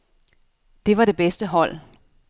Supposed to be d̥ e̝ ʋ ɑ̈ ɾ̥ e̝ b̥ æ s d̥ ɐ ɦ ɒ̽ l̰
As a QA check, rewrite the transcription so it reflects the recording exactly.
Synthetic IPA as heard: d̥ e̝ ʋ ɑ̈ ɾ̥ e̝ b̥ e s d̥ ə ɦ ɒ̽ l̰